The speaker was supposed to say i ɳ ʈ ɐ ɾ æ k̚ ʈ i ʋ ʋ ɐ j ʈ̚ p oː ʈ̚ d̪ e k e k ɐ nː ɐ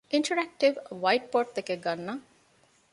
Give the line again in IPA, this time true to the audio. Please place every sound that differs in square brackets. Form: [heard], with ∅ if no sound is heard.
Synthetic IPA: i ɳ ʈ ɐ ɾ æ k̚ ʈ i ʋ ʋ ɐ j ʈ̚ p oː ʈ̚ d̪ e k e [ɡ] ɐ nː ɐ